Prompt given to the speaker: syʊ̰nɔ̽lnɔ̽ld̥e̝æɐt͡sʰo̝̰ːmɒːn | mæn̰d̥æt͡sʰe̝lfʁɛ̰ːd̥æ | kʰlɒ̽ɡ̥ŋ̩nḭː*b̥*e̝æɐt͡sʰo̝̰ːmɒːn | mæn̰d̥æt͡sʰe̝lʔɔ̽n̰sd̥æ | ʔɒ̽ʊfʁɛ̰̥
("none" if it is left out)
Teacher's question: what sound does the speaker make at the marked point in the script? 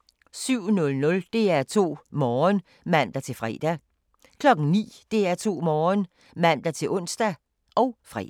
d̥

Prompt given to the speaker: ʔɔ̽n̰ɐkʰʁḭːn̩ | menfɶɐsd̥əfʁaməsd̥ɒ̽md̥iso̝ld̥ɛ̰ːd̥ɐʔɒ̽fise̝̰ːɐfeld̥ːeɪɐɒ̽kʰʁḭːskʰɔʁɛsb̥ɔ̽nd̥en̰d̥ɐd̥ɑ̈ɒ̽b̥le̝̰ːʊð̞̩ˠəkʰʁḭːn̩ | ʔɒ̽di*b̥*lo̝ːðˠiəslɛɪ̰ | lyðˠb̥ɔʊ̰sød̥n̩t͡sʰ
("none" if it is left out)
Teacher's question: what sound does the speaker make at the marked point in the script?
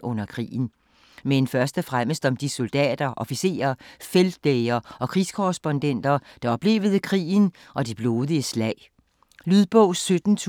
b̥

